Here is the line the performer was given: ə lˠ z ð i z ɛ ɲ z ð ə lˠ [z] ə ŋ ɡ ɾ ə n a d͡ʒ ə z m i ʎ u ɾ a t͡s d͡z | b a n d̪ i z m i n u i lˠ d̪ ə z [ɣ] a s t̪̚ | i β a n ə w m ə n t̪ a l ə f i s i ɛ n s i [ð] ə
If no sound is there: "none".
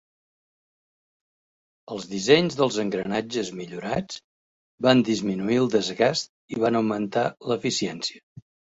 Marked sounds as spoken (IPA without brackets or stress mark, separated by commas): z, ɣ, none